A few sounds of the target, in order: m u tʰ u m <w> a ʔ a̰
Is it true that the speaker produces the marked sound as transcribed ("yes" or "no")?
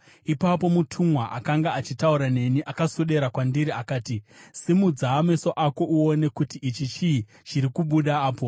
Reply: yes